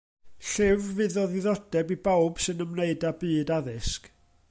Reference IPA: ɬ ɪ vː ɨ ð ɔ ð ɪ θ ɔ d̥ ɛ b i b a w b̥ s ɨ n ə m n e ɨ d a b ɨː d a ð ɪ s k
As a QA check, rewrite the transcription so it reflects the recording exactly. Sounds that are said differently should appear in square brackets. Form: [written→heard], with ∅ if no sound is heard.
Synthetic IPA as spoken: ɬ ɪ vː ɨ ð ɔ ð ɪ [θ→ð] ɔ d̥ ɛ b i b a w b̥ s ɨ n ə m n e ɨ d a b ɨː d a ð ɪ s k